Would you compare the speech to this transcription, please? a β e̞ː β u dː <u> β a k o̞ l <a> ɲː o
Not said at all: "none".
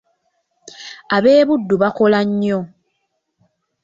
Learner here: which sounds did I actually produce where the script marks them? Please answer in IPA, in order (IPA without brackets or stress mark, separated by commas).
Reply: u, a